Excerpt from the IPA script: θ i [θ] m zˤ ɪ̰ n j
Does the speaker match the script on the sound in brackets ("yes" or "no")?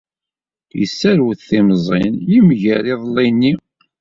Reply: no